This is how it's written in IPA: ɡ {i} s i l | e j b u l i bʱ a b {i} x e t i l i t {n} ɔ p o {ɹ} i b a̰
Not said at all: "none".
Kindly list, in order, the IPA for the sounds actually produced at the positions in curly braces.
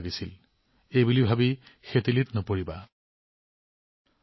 i, i, n, ɹ

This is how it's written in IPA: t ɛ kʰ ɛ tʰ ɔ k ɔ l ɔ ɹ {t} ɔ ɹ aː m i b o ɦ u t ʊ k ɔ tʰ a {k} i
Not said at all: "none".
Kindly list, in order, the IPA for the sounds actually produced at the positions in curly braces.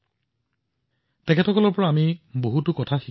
p, x

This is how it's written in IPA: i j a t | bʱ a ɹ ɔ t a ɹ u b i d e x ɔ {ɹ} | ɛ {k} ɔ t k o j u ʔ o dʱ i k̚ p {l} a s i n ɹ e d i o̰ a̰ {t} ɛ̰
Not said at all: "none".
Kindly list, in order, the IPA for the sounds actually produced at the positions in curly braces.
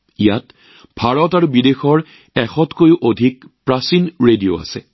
ɹ, x, ɹ, s

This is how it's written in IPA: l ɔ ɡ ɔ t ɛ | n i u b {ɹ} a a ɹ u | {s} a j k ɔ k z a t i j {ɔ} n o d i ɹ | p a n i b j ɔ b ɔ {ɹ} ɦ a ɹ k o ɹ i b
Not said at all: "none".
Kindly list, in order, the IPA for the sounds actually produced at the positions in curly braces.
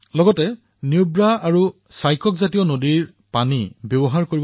ɹ, s, ɔ, none

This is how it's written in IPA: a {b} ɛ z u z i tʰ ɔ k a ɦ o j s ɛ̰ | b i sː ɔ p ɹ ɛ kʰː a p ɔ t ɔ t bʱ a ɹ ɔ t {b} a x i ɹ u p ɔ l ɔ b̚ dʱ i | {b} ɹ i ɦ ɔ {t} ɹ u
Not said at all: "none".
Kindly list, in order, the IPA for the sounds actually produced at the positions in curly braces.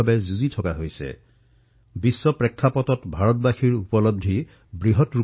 b, b, b, t

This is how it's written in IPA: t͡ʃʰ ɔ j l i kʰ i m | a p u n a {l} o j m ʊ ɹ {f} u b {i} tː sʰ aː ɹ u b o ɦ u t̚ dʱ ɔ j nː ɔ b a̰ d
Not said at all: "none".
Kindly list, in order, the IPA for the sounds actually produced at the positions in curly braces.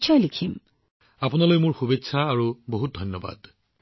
l, x, e

